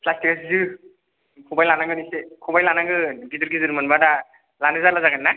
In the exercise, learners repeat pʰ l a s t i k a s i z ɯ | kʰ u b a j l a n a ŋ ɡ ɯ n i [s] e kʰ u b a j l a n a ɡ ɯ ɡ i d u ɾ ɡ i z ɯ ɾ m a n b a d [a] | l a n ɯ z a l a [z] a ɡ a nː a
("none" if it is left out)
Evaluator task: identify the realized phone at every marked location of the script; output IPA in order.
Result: s, a, z

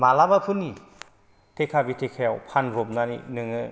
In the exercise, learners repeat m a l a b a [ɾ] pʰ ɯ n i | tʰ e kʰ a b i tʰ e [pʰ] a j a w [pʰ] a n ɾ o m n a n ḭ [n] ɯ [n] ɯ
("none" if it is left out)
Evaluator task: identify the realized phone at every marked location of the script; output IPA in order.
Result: none, kʰ, pʰ, n, ŋ

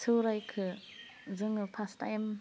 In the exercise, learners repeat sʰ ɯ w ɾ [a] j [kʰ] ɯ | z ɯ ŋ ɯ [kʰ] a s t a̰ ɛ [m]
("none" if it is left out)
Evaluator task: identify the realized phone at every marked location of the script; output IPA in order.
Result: a, kʰ, pʰ, m

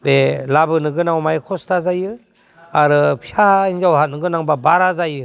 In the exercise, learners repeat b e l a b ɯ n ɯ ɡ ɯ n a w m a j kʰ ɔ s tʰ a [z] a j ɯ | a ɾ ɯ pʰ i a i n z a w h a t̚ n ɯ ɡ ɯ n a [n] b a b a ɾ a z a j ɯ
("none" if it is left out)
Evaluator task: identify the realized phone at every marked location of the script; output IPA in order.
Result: z, ŋ

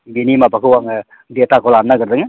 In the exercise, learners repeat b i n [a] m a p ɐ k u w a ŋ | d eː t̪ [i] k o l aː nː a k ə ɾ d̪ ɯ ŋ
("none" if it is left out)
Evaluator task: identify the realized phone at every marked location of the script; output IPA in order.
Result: i, a

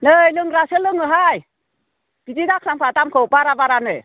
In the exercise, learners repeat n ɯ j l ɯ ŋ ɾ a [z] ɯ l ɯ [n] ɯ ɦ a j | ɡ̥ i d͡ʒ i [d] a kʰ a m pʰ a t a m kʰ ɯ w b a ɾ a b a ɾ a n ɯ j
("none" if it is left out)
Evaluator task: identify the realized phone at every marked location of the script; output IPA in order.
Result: s, ŋ, d

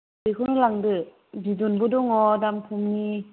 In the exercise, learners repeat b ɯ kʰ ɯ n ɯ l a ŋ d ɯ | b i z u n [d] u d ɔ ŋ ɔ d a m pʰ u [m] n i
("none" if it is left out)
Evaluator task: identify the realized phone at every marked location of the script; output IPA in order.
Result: b, m

